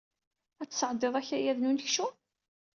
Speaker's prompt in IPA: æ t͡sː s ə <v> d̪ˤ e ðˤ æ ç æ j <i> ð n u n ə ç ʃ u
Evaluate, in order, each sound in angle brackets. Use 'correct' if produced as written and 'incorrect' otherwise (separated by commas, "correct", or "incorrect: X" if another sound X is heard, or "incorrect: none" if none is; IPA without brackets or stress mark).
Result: incorrect: ʕ, incorrect: æ